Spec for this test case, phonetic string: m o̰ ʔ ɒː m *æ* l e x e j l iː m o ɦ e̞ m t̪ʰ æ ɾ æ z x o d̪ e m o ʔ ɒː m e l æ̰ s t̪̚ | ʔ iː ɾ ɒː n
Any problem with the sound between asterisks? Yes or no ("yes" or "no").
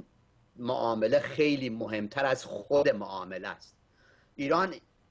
yes